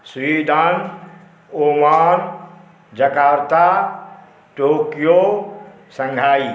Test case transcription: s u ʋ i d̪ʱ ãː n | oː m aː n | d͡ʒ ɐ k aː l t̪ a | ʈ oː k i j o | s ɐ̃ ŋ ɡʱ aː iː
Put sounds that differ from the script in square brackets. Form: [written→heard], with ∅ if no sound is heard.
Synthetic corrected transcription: s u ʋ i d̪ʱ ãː n | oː m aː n | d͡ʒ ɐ k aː [l→ɾ] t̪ a | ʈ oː k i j o | s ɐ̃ ŋ ɡʱ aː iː